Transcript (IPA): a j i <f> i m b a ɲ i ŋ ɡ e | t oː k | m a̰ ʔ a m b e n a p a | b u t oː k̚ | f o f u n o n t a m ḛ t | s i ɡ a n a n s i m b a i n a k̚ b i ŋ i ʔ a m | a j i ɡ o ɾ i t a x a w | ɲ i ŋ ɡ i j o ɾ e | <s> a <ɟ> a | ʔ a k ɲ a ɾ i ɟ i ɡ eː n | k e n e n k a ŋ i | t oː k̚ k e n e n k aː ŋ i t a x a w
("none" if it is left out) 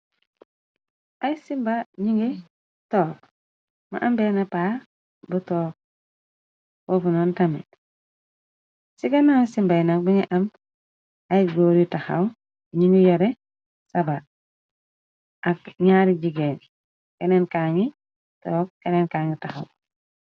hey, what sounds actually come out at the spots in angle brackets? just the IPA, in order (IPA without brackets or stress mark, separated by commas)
s, s, b